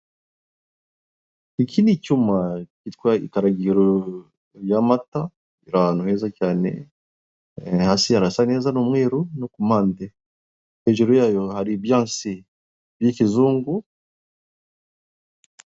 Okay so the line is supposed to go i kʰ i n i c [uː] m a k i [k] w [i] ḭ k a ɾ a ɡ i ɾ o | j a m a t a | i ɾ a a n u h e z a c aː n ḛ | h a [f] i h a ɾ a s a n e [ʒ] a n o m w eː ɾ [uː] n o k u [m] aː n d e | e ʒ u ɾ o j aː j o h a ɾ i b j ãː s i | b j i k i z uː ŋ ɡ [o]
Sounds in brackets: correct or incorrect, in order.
incorrect: u, incorrect: t, incorrect: a, incorrect: s, incorrect: z, incorrect: u, correct, incorrect: u

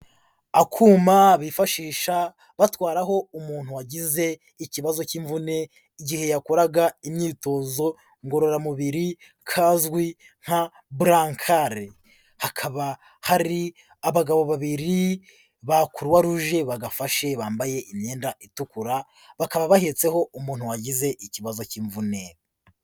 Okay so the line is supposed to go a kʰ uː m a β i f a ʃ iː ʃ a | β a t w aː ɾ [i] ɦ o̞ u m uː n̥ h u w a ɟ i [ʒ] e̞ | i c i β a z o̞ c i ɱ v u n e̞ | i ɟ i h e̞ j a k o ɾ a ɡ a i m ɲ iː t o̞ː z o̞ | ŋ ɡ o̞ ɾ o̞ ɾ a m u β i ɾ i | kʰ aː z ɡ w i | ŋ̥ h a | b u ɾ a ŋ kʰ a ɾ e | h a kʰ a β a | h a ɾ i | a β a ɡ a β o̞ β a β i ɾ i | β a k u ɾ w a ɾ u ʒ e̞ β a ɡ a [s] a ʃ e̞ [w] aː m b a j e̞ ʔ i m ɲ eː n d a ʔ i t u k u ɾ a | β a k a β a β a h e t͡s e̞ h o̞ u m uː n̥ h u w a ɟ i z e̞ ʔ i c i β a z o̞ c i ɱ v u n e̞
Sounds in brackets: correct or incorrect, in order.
incorrect: a, incorrect: z, incorrect: f, incorrect: β

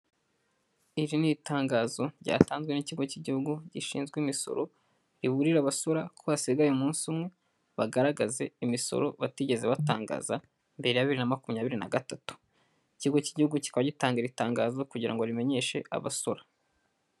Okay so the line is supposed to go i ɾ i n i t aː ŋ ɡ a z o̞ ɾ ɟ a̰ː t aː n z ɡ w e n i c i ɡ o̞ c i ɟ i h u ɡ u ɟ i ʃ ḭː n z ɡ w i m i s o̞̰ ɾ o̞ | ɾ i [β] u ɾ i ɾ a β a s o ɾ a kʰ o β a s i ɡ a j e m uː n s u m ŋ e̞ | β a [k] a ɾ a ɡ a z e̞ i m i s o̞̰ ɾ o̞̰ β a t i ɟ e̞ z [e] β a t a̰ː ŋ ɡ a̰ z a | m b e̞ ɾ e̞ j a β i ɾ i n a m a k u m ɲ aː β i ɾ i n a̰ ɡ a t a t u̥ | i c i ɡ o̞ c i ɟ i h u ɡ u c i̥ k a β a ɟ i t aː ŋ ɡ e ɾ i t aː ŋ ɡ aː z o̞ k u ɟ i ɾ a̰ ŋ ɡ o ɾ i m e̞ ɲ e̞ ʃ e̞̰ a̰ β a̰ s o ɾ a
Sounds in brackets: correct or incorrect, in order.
correct, incorrect: ɡ, correct

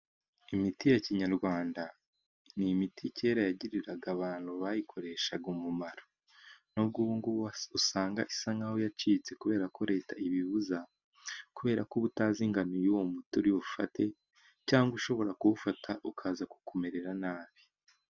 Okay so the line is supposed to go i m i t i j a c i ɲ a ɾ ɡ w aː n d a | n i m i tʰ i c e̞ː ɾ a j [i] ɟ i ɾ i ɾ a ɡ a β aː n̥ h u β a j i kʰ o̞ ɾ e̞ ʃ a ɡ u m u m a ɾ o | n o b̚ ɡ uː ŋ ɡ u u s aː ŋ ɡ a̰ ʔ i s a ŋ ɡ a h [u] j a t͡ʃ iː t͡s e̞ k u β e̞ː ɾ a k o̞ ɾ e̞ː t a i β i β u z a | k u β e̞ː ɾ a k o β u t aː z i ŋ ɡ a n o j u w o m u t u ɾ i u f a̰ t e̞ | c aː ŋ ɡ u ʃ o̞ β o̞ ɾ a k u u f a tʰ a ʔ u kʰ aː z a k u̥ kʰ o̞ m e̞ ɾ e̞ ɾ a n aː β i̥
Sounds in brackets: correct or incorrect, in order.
incorrect: a, incorrect: o

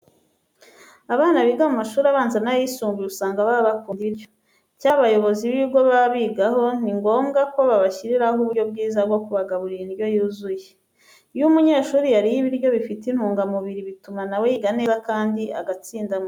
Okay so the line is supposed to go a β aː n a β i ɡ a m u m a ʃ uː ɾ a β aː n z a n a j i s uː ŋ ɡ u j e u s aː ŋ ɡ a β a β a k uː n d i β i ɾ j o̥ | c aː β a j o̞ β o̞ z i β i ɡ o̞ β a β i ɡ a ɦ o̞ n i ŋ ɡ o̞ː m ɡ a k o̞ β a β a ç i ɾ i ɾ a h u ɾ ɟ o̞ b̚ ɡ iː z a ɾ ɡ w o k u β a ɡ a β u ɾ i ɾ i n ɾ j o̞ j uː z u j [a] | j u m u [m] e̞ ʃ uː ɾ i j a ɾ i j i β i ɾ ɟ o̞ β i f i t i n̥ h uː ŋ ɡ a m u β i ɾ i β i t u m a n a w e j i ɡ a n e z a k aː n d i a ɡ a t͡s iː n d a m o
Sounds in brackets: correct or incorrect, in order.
incorrect: e, incorrect: ɲ

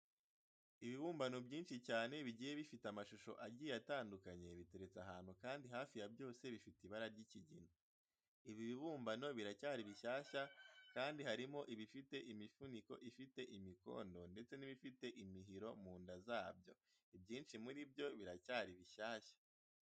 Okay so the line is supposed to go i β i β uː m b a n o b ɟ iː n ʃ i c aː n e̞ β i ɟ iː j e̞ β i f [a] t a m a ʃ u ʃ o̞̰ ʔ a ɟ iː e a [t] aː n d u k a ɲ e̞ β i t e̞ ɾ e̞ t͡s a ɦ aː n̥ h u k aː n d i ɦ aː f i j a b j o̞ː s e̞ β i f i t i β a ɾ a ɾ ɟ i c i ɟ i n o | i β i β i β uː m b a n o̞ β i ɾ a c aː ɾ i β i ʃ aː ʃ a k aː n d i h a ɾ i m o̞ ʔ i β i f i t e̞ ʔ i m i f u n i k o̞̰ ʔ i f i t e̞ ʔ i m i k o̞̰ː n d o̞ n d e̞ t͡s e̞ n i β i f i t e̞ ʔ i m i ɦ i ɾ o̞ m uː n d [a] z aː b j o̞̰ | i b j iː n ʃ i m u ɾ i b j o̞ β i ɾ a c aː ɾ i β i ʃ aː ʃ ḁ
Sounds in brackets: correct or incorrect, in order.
incorrect: i, correct, correct

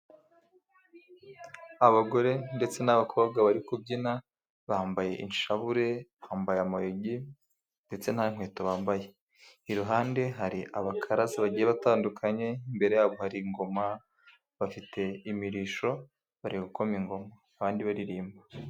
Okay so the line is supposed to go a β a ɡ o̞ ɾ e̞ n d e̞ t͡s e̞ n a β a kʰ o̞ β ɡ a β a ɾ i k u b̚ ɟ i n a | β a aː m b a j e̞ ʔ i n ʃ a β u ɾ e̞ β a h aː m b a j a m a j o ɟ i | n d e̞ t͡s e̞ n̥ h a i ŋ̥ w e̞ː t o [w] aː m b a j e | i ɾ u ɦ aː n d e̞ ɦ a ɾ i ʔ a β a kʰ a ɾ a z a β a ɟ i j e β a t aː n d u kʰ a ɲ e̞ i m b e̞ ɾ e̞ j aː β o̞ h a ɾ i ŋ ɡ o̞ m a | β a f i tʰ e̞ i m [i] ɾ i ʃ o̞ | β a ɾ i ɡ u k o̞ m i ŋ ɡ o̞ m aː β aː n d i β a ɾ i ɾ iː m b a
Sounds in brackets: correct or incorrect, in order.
incorrect: β, correct

